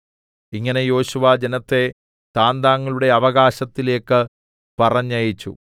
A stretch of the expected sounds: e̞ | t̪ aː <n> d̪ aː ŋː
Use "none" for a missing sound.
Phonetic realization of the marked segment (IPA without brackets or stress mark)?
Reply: n